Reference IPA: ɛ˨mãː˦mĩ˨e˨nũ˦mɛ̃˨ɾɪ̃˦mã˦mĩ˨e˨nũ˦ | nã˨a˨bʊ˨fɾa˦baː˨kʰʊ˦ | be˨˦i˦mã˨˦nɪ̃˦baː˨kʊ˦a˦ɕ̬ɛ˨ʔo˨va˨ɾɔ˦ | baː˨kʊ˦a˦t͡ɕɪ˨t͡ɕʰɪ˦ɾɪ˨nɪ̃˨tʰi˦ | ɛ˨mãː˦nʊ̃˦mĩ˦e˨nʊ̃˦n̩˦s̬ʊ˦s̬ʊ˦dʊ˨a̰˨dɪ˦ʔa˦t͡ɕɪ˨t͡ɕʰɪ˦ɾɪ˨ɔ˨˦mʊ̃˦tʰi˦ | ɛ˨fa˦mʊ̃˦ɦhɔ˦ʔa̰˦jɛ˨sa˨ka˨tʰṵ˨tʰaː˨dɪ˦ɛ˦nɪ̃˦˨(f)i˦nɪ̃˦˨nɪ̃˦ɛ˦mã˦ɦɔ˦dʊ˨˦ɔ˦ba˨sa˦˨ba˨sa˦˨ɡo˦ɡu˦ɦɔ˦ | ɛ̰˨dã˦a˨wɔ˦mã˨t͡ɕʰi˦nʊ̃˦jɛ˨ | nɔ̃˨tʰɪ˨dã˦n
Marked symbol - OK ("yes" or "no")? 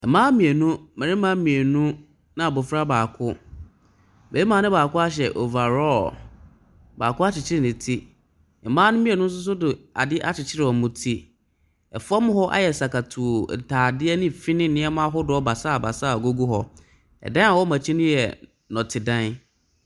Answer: yes